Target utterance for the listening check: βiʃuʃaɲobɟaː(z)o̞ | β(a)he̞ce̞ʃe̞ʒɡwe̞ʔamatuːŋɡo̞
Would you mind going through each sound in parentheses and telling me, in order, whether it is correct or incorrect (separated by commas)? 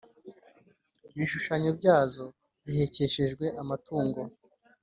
correct, incorrect